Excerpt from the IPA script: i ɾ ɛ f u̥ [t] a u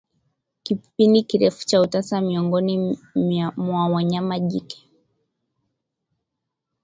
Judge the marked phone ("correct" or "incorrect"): incorrect